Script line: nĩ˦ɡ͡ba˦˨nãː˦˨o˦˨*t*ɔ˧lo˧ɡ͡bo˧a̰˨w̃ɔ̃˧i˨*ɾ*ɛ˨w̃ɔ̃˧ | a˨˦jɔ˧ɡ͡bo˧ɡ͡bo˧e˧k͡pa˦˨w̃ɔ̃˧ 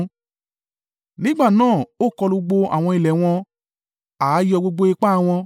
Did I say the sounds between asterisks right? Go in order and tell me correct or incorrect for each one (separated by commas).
incorrect, incorrect